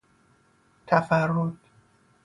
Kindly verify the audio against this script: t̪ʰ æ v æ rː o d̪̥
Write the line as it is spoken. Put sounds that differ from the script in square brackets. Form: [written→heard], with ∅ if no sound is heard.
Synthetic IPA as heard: t̪ʰ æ [v→f] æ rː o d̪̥